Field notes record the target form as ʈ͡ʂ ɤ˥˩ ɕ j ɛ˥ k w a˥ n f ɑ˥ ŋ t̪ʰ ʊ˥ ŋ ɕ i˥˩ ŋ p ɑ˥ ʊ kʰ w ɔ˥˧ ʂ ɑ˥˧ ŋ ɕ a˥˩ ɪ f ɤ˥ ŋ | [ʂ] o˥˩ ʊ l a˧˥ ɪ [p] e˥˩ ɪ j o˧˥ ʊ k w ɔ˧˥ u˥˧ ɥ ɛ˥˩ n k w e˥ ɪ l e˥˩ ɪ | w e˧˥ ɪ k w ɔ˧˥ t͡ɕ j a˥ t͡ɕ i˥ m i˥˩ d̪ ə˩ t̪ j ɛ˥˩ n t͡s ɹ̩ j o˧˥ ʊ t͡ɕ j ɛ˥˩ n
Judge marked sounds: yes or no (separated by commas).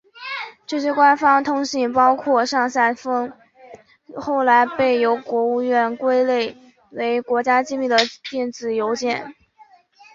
no, yes